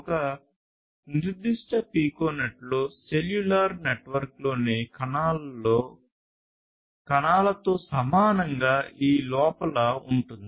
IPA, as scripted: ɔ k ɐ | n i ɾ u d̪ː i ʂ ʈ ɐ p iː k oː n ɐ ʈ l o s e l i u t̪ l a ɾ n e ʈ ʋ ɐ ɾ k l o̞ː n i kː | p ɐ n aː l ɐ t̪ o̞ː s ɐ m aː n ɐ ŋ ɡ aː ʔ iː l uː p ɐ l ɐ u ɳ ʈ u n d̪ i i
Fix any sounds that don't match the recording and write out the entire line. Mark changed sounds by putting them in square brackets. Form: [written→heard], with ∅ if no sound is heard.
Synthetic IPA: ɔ k ɐ | n i ɾ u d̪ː i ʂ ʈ ɐ p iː k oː n ɐ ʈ l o s e l [i→j] u [t̪→∅] l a ɾ n e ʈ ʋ ɐ ɾ k l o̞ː n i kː | [p→k] ɐ n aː l ɐ t̪ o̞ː s ɐ m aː n ɐ ŋ ɡ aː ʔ iː l [uː→ɔː] p ɐ l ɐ u ɳ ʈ u n d̪ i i